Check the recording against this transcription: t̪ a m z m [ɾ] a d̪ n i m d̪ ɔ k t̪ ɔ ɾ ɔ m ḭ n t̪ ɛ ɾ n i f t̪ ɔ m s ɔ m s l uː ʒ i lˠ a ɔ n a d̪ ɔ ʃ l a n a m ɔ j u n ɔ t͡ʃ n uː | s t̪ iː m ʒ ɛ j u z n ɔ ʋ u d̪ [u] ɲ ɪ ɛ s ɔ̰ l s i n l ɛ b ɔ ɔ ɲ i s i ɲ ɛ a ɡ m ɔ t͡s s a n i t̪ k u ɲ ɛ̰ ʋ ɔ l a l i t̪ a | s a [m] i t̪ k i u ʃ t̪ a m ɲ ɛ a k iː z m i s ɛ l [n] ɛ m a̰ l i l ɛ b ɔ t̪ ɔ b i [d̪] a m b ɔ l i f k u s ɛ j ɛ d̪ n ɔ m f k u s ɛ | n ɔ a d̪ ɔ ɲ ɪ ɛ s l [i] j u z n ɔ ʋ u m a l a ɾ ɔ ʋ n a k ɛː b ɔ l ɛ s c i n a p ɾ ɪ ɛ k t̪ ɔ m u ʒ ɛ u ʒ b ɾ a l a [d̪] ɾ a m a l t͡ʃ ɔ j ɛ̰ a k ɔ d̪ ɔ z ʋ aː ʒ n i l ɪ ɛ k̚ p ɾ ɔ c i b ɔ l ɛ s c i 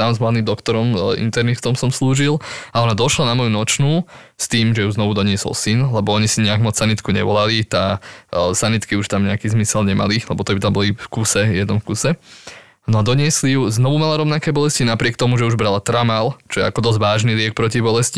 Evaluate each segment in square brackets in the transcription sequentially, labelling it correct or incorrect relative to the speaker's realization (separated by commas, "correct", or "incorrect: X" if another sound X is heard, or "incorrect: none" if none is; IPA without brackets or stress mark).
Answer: incorrect: l, incorrect: ɔ, incorrect: n, incorrect: ɲ, incorrect: t̪, correct, incorrect: t̪